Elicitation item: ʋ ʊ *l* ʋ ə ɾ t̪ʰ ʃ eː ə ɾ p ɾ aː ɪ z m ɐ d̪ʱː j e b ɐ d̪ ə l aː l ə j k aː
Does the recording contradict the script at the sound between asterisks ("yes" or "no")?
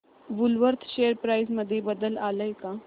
no